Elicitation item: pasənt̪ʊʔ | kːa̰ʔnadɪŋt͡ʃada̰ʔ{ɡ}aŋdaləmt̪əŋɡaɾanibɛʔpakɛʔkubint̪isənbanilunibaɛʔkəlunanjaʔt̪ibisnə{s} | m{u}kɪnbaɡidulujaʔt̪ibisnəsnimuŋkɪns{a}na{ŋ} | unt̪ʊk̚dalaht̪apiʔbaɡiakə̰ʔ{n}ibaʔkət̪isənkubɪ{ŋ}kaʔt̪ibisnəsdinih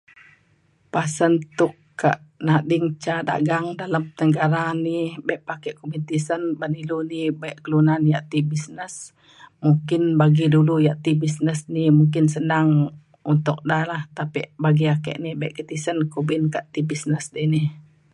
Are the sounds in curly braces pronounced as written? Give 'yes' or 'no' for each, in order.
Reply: yes, yes, yes, no, yes, yes, no

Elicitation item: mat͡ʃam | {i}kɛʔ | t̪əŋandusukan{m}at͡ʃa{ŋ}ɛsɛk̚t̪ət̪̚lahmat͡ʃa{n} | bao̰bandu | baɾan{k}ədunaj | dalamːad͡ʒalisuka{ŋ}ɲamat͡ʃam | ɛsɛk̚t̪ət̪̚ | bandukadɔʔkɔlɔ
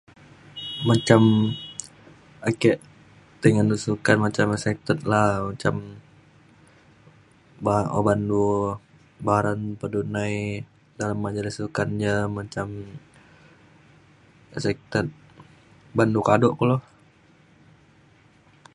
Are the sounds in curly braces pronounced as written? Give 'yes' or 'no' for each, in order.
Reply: no, yes, no, no, no, no

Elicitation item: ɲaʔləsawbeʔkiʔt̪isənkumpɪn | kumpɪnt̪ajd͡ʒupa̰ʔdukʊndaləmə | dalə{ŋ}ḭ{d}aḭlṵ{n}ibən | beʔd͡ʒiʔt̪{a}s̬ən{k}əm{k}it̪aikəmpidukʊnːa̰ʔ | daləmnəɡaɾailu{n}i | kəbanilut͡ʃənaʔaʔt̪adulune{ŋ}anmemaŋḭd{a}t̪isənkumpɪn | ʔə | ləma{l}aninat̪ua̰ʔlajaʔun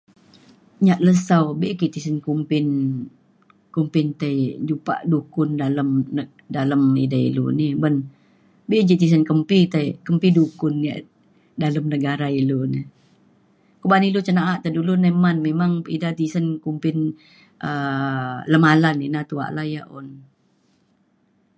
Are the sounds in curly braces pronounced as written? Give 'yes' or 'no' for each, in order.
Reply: no, yes, yes, no, yes, no, yes, no, yes, yes

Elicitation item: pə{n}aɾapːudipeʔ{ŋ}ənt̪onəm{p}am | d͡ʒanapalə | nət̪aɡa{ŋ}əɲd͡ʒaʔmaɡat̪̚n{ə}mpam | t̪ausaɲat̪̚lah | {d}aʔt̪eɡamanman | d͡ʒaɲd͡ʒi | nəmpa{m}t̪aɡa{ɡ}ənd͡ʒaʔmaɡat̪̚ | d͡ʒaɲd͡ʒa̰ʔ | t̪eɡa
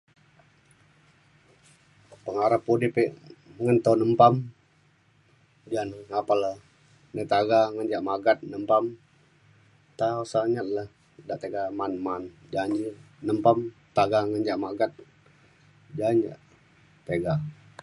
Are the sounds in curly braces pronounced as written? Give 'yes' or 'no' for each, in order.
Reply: no, yes, yes, yes, yes, yes, yes, no

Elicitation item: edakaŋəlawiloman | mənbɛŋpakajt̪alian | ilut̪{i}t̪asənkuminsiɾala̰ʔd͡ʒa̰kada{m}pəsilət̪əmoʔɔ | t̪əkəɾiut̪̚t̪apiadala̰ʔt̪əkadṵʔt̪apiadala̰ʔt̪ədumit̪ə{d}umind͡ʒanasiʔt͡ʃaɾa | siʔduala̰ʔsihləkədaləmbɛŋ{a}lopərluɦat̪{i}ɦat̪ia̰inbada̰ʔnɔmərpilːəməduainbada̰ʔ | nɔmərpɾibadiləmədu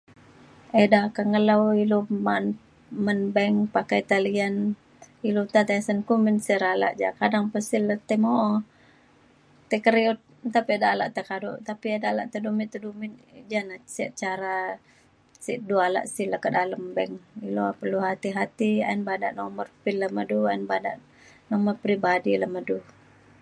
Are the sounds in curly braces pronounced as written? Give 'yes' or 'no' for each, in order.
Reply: no, no, yes, no, yes

